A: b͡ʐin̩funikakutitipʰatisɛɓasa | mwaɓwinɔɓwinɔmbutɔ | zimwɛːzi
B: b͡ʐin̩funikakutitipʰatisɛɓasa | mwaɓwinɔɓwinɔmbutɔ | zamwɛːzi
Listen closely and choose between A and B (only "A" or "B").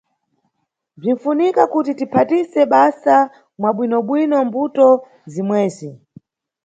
A